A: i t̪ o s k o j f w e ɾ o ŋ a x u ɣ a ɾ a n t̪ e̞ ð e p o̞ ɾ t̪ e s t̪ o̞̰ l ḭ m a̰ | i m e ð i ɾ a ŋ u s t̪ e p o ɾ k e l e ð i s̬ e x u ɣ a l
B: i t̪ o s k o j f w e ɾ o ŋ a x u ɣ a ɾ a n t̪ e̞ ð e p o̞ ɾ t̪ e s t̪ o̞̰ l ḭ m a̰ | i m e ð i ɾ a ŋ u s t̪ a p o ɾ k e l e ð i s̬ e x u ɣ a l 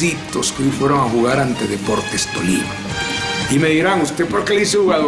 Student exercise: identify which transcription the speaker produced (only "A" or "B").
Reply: A